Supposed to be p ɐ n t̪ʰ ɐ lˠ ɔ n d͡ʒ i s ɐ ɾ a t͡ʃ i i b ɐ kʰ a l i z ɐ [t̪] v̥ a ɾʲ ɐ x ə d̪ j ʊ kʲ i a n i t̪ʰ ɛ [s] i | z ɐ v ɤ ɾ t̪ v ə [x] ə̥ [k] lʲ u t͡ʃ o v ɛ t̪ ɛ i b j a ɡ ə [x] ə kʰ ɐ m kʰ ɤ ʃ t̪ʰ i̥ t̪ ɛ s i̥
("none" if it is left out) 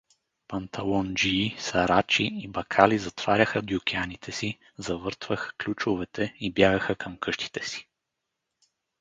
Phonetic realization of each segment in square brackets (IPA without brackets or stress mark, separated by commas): t̪, s, x, k, x